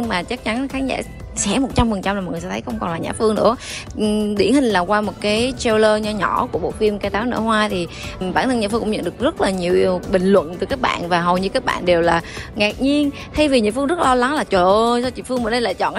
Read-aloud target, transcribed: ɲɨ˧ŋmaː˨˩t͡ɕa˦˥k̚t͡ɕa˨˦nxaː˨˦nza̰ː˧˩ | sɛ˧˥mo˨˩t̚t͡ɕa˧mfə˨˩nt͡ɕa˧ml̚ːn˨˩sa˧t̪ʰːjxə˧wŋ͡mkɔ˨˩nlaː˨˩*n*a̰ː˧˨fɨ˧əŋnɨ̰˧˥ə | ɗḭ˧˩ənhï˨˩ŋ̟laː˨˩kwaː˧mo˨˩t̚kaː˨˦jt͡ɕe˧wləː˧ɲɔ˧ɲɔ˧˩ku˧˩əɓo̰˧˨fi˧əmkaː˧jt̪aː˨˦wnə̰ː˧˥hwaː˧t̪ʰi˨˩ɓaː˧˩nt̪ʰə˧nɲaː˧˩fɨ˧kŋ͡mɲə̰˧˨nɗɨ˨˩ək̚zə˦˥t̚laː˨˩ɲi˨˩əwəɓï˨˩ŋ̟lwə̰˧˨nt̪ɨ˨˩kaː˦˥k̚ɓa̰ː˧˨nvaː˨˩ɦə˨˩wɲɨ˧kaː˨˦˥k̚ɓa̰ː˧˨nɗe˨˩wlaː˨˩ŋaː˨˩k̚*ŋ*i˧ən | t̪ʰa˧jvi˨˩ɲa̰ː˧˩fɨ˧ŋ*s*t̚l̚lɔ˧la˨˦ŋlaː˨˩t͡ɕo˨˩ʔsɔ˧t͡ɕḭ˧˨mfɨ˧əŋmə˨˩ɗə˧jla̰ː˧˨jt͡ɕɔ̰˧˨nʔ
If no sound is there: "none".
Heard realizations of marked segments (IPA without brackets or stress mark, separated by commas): ɲ, ɲ, z